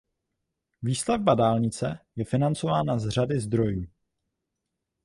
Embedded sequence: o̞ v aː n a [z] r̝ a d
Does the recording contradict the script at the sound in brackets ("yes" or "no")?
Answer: no